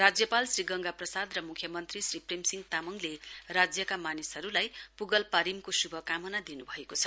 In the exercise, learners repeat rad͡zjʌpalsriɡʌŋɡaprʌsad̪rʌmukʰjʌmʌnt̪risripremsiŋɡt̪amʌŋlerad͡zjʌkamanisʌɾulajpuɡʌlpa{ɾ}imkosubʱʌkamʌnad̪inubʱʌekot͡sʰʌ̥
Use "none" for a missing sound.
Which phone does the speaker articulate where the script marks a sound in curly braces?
ɾ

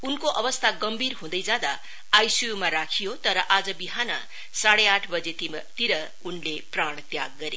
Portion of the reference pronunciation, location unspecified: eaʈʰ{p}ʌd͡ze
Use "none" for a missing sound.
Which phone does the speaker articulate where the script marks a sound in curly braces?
b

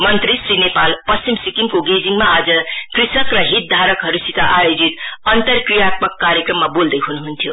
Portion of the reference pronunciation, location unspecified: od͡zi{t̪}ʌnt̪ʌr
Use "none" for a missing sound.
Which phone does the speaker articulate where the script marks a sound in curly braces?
t̪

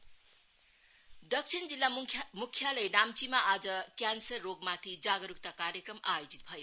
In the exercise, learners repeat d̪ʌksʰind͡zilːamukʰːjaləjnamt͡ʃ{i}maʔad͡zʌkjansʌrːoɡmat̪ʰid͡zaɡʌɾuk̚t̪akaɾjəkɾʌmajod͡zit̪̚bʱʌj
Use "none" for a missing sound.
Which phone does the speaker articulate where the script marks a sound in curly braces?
i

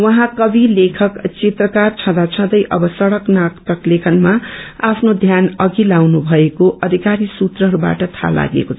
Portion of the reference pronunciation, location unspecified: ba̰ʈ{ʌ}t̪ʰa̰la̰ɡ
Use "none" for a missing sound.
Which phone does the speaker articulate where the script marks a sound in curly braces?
ʌ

